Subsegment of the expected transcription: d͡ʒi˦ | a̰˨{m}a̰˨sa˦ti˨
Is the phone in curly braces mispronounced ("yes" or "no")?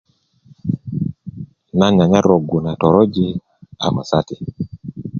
no